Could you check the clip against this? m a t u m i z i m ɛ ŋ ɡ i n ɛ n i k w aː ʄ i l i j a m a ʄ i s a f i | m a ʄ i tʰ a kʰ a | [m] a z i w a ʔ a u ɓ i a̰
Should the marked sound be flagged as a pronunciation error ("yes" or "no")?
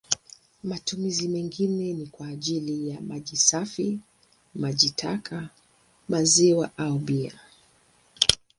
no